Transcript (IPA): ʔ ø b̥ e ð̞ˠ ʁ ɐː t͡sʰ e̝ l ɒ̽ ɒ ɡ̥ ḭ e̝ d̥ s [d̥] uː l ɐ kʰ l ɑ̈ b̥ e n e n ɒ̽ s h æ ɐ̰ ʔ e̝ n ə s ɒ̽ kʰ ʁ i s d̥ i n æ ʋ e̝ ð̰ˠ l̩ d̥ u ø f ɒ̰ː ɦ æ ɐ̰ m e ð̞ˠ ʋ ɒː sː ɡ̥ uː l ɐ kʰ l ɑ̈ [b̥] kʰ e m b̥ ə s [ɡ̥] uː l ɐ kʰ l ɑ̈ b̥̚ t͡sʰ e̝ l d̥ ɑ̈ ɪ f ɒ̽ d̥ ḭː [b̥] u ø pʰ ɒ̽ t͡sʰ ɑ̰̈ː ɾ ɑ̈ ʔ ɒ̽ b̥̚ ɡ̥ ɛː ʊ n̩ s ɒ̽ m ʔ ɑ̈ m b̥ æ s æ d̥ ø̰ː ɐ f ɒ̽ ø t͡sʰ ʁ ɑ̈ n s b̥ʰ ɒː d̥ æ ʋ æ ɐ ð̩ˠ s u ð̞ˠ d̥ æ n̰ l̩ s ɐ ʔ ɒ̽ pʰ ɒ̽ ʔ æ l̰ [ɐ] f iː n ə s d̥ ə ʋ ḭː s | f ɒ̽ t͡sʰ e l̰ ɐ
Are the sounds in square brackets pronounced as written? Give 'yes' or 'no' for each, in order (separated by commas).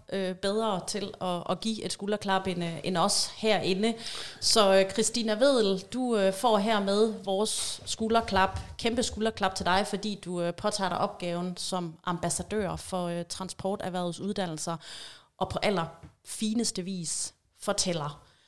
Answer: no, yes, yes, no, yes